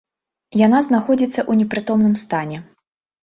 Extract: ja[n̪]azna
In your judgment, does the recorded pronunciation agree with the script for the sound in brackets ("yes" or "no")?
yes